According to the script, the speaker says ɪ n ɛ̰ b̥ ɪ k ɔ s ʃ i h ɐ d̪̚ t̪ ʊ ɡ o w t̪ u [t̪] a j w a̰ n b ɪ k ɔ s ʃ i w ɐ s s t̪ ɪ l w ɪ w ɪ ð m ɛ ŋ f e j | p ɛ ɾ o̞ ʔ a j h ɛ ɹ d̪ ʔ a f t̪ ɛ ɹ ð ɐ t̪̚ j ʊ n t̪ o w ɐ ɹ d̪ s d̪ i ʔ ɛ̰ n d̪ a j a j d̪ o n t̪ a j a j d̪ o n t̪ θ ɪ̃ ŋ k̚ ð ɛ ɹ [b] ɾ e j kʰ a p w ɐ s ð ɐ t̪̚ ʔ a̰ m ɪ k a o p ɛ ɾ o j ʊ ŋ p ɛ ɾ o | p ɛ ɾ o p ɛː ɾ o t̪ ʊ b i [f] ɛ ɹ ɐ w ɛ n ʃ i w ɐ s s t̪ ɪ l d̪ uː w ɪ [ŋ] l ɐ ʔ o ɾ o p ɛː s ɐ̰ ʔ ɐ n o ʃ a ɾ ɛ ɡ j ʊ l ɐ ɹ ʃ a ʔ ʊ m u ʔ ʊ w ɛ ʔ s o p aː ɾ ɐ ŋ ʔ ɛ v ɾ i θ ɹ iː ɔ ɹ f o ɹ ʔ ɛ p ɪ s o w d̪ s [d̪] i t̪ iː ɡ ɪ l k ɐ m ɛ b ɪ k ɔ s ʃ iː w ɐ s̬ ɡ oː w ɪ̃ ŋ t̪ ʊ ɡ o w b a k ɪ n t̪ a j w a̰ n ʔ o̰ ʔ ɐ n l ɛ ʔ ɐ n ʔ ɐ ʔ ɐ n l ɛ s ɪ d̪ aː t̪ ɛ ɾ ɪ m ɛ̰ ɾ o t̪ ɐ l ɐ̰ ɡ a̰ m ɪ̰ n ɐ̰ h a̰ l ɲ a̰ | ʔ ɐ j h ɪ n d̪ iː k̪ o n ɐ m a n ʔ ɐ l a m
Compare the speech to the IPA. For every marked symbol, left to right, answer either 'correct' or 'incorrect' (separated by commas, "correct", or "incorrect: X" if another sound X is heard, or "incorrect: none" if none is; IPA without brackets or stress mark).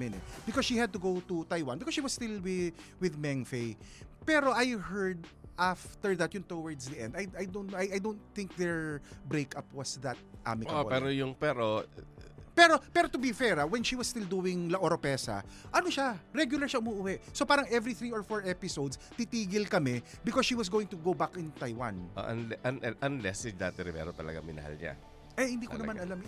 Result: correct, correct, correct, correct, incorrect: t̪